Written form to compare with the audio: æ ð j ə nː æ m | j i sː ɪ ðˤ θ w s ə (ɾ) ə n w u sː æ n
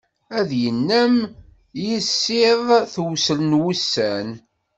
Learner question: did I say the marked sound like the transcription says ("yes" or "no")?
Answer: no